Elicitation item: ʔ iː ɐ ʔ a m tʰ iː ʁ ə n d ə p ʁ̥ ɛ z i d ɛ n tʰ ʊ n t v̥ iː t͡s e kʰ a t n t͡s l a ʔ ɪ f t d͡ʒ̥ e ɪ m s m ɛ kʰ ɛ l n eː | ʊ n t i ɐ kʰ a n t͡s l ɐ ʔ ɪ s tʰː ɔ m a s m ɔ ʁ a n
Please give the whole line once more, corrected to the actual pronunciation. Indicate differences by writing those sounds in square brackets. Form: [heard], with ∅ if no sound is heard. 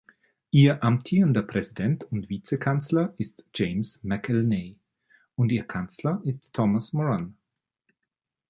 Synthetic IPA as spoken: ʔ iː ɐ ʔ a m tʰ iː ʁ ə n d [ɐ] p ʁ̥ ɛ z i d ɛ n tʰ ʊ n t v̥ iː t͡s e kʰ a [∅] n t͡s l [ɐ] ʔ ɪ [s] t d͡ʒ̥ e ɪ m s m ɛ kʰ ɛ l n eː | ʊ n t [iː] ɐ kʰ a n t͡s l ɐ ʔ ɪ s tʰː ɔ m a s m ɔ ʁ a n